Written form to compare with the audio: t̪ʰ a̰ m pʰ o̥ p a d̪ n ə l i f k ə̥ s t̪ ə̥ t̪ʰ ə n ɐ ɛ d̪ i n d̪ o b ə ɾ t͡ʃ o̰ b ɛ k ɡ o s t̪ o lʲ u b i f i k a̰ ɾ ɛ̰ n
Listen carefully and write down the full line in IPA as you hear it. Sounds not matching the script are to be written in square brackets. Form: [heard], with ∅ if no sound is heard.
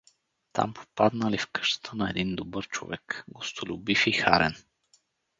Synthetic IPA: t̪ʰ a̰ m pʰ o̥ p a d̪ n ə l i f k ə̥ [ʃ] t̪ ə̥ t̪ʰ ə n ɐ ɛ d̪ i n d̪ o b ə ɾ t͡ʃ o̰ [v] ɛ k ɡ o s t̪ o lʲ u b i f i [x] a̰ ɾ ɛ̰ n